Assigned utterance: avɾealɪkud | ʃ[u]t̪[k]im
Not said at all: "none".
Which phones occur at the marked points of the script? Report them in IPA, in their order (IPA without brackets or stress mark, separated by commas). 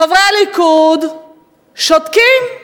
ɔ, k